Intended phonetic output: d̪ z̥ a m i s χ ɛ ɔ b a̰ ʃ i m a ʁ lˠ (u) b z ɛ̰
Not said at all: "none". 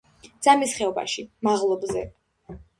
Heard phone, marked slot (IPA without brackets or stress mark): ɔ